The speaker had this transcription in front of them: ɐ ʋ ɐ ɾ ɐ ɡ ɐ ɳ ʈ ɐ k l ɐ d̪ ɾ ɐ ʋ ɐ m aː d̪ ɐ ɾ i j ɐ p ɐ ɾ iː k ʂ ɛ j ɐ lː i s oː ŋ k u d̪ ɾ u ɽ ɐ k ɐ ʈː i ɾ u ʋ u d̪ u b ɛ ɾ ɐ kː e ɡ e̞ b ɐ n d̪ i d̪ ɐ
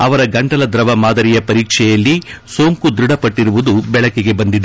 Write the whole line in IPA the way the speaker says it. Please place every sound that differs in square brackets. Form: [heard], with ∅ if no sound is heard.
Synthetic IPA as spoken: ɐ ʋ ɐ ɾ ɐ ɡ ɐ ɳ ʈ ɐ [∅] l ɐ d̪ ɾ ɐ ʋ ɐ m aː d̪ ɐ ɾ i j ɐ p ɐ ɾ iː k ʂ ɛ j ɐ lː i s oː ŋ k u d̪ ɾ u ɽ ɐ [p] ɐ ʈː i ɾ u ʋ u d̪ u b ɛ [ɭ] ɐ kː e ɡ e̞ b ɐ n d̪ i d̪ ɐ